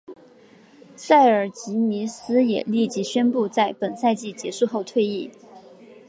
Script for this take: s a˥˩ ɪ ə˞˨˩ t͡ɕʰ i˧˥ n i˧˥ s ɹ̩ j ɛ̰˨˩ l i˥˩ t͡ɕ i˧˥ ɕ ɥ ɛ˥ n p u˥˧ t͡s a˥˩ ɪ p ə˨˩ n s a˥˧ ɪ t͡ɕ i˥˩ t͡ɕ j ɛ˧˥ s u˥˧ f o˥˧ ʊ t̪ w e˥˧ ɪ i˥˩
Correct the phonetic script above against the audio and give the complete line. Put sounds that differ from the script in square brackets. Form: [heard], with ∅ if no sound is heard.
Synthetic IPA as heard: s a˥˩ ɪ ə˞˨˩ [t͡ɕ] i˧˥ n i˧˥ s ɹ̩ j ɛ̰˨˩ l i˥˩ t͡ɕ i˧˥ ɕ ɥ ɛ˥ n p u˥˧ t͡s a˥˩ ɪ p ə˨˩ n s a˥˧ ɪ t͡ɕ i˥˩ t͡ɕ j ɛ˧˥ [ʂ] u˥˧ [x] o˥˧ ʊ [t̪ʰ] w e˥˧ ɪ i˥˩